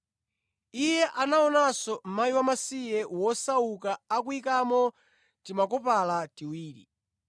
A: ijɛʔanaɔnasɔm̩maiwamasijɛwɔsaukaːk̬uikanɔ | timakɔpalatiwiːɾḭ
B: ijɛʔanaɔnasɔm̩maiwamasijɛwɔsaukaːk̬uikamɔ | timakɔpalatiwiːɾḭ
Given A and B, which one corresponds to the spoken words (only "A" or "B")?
B